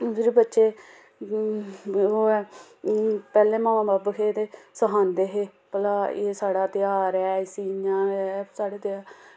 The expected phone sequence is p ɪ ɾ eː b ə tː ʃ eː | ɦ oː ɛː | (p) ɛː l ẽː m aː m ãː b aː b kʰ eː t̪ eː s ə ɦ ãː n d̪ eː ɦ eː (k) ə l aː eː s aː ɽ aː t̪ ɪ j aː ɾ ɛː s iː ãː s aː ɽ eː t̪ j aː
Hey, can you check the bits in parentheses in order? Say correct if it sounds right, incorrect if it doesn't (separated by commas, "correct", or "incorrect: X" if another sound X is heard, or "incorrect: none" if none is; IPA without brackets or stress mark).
correct, incorrect: p